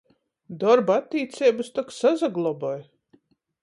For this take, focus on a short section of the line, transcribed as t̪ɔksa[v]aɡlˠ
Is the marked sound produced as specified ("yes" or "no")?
no